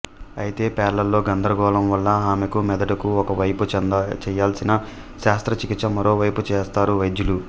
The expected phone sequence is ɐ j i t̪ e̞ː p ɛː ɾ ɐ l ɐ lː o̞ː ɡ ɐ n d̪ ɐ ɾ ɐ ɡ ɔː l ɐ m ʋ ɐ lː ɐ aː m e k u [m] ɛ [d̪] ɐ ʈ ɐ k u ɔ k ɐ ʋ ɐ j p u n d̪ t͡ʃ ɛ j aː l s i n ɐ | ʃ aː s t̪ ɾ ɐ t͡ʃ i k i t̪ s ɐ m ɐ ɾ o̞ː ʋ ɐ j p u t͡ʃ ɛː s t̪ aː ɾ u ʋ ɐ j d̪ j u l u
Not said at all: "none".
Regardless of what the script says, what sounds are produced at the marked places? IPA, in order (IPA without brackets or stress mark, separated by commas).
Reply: m, d̪